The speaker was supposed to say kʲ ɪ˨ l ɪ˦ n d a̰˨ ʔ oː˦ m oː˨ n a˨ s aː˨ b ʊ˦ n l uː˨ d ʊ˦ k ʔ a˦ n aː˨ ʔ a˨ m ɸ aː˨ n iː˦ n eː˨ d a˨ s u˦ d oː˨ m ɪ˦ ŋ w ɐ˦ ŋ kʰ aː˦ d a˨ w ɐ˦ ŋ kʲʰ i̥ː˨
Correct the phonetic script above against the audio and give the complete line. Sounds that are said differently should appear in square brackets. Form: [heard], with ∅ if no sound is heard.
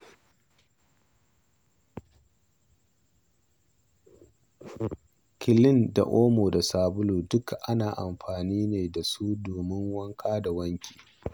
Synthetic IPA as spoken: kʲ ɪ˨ l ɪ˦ n d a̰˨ ʔ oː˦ m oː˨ [d] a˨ s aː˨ b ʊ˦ [∅] l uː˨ d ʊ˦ k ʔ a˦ n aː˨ ʔ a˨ m ɸ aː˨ n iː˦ n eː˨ d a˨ s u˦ d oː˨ m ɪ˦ ŋ w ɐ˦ ŋ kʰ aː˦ d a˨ w ɐ˦ ŋ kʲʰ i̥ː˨